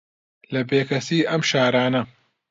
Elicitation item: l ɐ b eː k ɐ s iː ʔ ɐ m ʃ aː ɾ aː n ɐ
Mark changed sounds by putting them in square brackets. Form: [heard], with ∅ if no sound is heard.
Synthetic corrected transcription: l ɐ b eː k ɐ s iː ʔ ɐ m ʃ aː ɾ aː n ɐ